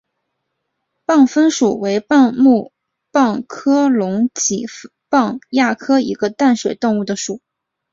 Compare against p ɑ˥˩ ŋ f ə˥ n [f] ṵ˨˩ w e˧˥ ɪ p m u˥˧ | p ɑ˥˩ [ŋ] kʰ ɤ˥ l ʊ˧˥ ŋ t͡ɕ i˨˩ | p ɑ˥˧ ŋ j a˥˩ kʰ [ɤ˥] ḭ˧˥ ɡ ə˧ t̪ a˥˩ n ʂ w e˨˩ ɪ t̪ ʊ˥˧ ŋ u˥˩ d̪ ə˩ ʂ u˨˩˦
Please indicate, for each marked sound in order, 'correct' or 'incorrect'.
incorrect: ʂ, correct, correct

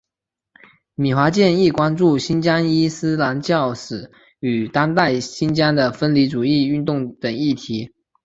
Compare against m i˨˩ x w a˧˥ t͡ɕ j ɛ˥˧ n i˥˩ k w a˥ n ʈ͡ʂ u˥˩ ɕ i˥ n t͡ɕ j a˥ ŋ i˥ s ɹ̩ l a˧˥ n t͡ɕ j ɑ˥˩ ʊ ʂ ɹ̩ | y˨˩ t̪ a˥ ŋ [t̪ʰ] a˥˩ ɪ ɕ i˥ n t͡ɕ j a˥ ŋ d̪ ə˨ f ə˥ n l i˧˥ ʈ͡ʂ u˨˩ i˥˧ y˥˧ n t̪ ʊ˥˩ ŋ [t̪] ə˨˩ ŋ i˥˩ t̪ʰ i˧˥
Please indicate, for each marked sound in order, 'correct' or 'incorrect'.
incorrect: t̪, correct

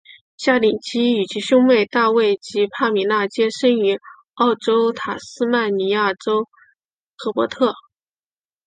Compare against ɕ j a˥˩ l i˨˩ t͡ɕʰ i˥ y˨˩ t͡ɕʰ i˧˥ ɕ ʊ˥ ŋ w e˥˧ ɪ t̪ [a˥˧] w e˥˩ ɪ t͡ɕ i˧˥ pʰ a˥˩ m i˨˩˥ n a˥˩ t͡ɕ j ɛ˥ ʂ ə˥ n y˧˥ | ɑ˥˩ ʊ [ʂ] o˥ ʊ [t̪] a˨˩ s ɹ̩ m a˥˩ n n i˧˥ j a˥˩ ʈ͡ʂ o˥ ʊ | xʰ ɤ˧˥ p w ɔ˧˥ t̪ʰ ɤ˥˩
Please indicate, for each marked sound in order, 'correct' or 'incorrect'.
correct, incorrect: ʈ͡ʂ, incorrect: t̪ʰ

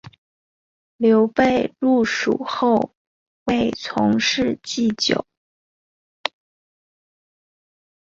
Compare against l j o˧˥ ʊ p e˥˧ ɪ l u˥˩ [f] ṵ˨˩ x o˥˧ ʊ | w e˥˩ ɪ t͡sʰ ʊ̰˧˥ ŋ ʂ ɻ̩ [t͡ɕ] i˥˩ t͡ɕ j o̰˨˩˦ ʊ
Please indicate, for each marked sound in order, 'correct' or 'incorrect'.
incorrect: ʂ, correct

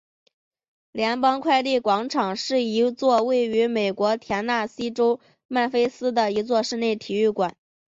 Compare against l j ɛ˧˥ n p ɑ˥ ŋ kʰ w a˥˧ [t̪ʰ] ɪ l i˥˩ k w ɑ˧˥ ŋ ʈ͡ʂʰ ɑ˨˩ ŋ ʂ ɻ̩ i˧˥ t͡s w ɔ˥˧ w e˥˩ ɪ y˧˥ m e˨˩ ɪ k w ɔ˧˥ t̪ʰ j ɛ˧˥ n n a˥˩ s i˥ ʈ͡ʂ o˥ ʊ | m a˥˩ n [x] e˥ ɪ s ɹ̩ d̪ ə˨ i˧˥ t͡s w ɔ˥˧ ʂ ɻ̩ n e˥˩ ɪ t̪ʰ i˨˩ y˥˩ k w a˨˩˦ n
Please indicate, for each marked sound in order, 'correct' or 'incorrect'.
incorrect: none, incorrect: f

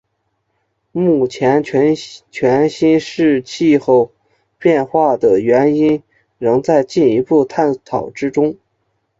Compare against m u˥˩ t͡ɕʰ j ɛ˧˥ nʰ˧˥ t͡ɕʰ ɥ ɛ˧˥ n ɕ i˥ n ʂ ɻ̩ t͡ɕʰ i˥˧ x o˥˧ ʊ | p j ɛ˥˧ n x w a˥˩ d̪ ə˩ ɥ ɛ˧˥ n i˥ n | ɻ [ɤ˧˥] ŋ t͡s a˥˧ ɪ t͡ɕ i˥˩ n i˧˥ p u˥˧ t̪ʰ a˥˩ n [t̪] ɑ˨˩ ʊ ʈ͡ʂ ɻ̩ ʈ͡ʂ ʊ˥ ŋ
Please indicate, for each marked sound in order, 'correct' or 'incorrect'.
correct, incorrect: t̪ʰ

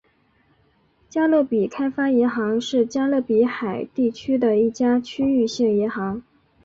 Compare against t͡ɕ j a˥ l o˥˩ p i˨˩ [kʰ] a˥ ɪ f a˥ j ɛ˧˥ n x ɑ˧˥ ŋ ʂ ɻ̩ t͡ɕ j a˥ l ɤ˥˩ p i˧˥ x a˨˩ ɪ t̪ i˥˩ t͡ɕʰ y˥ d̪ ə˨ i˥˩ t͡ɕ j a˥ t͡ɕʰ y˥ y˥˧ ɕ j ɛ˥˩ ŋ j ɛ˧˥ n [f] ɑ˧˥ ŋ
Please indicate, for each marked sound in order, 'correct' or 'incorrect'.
correct, incorrect: x

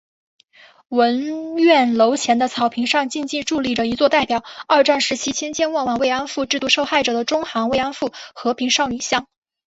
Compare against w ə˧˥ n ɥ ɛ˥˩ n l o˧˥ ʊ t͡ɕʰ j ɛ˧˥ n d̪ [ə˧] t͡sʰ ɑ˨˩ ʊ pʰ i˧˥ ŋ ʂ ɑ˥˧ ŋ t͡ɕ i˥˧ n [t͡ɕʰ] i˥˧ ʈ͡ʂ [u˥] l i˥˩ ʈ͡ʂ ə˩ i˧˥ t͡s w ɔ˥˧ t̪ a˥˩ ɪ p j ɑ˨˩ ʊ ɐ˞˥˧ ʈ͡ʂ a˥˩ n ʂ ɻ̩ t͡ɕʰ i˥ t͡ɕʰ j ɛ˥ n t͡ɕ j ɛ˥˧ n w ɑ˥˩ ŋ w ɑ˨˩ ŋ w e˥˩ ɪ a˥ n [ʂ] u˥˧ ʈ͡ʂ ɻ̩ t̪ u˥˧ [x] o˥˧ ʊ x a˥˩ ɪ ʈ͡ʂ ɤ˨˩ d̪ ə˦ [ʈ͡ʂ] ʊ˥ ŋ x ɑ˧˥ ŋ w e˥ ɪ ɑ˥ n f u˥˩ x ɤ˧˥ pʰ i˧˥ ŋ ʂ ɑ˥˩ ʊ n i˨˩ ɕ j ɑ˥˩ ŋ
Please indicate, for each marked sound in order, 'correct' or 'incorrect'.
correct, incorrect: t͡ɕ, incorrect: u˥˧, incorrect: f, incorrect: ʂ, correct

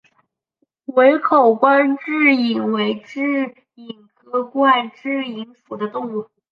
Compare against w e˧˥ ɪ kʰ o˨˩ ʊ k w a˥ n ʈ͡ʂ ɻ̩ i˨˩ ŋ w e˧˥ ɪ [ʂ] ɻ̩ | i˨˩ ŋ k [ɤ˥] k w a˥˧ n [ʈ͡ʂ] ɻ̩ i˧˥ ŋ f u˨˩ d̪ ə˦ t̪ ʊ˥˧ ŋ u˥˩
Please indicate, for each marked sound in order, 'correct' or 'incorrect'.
incorrect: ʈ͡ʂ, correct, correct

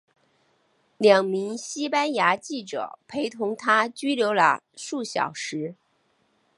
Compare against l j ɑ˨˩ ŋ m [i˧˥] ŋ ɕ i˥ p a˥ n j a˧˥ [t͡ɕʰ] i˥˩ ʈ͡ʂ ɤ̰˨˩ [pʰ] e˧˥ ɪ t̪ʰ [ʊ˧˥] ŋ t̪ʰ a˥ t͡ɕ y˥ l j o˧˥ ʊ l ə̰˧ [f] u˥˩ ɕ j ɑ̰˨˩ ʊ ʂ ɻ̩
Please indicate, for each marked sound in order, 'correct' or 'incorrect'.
correct, incorrect: t͡ɕ, correct, correct, incorrect: ʂ

